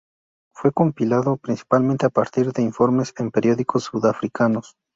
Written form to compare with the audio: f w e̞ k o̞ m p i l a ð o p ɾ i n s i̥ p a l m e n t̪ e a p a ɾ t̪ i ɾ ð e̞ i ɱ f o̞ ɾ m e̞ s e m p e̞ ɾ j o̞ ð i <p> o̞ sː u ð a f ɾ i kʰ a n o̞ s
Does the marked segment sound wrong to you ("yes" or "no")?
yes